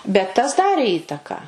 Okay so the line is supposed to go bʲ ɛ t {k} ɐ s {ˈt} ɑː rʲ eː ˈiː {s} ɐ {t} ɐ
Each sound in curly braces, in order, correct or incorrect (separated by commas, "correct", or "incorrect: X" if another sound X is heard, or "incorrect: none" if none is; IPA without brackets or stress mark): incorrect: t, incorrect: d, incorrect: t, incorrect: k